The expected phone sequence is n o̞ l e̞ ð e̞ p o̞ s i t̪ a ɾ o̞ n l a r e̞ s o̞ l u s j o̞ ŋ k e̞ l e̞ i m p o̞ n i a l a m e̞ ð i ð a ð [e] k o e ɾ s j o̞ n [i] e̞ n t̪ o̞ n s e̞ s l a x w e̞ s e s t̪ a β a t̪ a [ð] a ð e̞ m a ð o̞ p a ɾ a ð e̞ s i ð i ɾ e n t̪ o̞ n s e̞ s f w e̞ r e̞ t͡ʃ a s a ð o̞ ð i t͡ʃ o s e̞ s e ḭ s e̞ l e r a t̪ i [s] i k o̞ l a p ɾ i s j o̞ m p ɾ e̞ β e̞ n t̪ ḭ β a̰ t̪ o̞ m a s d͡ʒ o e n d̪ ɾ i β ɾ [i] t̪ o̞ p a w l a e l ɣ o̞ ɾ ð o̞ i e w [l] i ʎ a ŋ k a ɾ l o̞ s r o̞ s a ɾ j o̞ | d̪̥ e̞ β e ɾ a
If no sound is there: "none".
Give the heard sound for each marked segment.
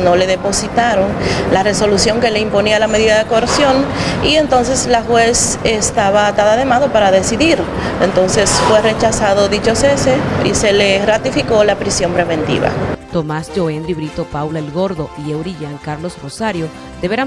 e, i, ð, f, i, ɾ

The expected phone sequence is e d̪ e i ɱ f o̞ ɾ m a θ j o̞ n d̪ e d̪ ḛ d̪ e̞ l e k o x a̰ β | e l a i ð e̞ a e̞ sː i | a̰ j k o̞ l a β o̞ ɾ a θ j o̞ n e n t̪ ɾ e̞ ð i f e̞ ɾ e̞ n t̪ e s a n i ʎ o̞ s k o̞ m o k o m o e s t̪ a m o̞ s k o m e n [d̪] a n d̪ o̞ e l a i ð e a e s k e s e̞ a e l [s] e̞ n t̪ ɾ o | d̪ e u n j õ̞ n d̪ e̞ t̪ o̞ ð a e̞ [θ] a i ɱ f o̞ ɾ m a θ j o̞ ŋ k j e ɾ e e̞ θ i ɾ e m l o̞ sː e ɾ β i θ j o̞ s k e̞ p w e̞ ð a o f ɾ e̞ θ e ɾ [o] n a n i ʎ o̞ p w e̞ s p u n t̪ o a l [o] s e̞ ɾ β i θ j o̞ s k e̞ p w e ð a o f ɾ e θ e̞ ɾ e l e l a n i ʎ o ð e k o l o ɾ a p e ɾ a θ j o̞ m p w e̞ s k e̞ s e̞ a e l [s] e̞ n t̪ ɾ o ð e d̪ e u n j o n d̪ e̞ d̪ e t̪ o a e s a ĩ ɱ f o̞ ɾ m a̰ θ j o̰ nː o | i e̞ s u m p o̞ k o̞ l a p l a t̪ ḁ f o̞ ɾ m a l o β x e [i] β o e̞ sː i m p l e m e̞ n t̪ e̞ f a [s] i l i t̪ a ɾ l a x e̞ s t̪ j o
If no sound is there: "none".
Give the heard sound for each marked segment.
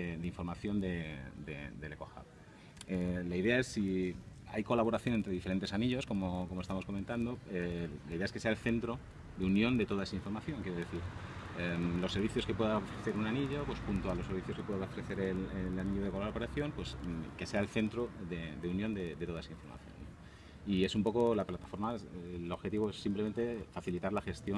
t̪, θ, s, u, o, θ, i, θ

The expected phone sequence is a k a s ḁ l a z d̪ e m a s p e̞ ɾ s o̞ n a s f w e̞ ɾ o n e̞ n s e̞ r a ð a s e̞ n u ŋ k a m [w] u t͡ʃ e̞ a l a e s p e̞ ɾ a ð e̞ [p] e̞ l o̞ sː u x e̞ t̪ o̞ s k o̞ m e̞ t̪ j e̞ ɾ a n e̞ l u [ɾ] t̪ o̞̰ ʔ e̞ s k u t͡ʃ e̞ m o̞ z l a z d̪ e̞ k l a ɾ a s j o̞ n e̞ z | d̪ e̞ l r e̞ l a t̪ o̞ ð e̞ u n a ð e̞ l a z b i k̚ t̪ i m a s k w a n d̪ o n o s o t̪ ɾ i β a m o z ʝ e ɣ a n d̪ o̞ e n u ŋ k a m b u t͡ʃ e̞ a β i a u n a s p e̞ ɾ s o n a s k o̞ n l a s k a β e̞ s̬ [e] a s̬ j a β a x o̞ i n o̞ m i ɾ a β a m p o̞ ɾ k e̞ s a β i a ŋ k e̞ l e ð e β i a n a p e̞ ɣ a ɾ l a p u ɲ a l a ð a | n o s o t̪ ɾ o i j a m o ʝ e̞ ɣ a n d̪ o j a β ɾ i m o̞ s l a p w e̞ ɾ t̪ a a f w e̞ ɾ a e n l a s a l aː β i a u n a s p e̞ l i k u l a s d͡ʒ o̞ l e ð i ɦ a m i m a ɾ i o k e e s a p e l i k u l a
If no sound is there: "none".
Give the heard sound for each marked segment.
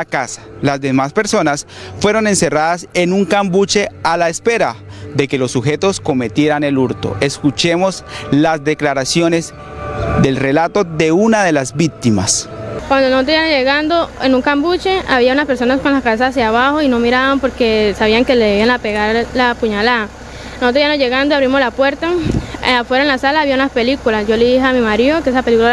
b, k, ɾ, a

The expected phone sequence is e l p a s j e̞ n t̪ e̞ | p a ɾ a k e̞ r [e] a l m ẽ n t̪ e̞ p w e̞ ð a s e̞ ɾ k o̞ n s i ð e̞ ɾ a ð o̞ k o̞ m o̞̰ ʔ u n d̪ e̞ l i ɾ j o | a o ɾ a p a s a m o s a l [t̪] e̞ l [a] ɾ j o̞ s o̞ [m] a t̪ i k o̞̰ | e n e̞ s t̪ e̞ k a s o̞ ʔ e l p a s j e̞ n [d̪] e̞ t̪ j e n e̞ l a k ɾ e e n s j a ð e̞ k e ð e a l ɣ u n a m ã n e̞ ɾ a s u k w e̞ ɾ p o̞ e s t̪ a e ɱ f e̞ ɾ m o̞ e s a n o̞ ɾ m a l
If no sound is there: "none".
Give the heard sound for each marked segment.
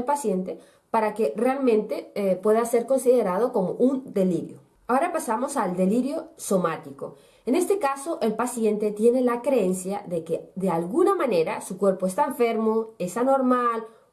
e, d̪, i, m, t̪

